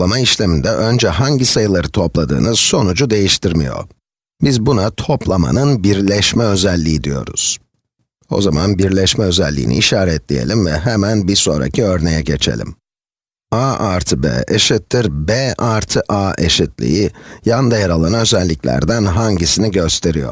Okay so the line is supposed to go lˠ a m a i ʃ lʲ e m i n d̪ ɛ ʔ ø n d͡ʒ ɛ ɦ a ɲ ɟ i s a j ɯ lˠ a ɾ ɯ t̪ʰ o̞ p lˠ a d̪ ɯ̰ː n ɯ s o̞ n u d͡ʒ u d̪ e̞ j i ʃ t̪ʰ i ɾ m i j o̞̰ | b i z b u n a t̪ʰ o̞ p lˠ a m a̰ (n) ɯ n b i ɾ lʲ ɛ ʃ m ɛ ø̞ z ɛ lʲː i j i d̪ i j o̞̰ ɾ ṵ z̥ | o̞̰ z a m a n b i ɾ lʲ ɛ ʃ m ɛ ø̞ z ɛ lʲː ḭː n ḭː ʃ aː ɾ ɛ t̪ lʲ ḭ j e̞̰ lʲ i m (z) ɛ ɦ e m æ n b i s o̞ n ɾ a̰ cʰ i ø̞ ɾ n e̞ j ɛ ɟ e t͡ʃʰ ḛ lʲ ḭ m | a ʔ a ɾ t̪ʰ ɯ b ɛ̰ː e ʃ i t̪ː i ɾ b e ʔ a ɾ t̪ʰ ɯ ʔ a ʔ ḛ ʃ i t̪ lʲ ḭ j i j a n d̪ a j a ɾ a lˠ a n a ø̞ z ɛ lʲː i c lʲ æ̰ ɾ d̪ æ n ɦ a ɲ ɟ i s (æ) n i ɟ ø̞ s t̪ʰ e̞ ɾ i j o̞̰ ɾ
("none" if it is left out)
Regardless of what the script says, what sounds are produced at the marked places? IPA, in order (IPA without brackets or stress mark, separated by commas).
n, v, i